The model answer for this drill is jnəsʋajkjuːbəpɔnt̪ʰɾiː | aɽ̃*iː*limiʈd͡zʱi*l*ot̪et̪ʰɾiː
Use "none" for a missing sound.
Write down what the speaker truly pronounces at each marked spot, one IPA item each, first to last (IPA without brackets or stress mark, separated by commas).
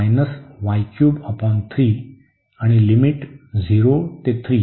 i, ɾ